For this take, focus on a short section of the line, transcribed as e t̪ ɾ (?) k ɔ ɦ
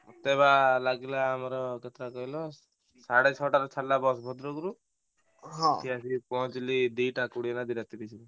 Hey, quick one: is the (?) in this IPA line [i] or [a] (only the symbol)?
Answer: a